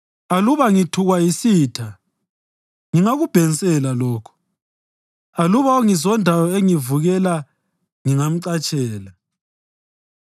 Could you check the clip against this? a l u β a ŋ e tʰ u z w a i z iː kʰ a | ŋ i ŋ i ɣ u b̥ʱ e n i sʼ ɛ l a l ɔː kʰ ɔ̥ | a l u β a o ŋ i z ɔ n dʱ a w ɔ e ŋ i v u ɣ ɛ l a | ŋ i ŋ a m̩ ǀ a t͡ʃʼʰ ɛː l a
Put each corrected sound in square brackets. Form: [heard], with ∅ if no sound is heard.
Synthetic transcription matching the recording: a l u β a ŋ [i] tʰ u [ɣ] w a i [s] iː [tʰ] a | ŋ i ŋ [a] ɣ u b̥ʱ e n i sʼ ɛ l a l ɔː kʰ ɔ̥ | a l u β a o ŋ i z ɔ n dʱ a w ɔ e ŋ i v u ɣ ɛ l a | ŋ i ŋ a m̩ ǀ a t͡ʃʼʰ ɛː l a